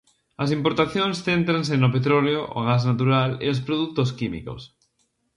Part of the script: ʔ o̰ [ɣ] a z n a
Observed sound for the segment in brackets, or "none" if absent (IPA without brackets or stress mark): ɣ